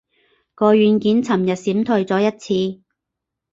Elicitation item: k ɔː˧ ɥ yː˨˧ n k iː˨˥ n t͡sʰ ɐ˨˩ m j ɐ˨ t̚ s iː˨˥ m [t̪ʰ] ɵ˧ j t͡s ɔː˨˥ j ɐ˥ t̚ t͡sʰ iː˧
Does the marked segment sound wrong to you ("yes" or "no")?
no